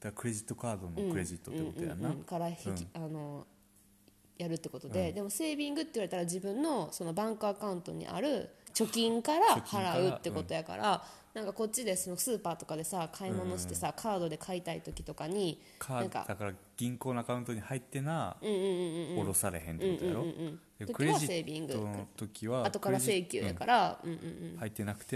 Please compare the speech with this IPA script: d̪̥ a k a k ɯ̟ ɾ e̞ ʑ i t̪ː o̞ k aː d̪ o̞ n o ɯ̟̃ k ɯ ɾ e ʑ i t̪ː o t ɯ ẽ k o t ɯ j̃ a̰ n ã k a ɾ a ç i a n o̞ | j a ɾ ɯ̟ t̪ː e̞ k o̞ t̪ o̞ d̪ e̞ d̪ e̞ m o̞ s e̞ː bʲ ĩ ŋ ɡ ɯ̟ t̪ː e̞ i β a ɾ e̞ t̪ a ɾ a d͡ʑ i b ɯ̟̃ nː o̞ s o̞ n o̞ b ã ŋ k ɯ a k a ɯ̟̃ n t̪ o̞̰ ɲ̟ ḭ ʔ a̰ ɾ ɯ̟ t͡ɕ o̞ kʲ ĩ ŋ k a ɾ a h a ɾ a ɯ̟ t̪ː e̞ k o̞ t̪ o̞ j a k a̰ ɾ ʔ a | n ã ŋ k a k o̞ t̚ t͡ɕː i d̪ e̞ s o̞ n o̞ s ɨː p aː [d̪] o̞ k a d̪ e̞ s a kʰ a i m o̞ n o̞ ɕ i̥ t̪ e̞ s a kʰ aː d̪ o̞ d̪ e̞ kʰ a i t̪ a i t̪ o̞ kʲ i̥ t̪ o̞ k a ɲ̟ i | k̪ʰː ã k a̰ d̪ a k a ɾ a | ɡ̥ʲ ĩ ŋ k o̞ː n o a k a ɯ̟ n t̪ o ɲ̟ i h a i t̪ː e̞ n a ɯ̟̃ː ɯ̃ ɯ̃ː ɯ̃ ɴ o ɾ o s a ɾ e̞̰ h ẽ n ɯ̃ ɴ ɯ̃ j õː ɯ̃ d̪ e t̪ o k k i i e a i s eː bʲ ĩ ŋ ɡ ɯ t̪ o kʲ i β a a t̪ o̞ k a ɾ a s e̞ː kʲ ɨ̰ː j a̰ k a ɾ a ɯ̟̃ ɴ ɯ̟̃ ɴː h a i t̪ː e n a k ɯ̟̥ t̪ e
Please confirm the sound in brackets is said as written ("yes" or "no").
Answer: no